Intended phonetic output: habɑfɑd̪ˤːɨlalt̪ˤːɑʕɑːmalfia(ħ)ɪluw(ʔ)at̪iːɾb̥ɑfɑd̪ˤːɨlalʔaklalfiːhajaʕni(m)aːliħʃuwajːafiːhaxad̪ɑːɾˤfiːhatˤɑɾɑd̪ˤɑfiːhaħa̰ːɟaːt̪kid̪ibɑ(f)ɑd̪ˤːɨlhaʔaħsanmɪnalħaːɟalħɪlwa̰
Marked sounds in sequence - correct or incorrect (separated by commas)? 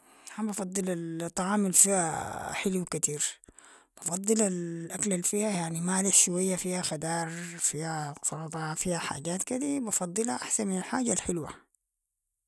correct, incorrect, correct, correct